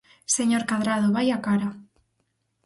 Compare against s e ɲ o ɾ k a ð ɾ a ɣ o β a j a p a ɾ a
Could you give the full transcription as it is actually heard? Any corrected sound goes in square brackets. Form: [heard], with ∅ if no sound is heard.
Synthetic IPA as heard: s e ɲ o ɾ k a ð ɾ a [ð] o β a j a [k] a ɾ a